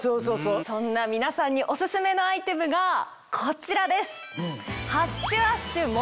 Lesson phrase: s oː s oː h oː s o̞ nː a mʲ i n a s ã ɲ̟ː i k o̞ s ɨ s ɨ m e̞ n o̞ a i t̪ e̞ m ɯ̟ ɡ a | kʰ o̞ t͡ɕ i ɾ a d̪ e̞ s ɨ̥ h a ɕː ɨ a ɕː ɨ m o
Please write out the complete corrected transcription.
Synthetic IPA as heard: s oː s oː s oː s õ̞ nː a mʲ i n a s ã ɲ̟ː i ʔ o̞ s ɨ s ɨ m e̞ n o̞ a i t̪ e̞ m ɯ̟ ɡ a | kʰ o̞ t͡ɕ i ɾ a d̪ e̞ s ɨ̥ h a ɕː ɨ a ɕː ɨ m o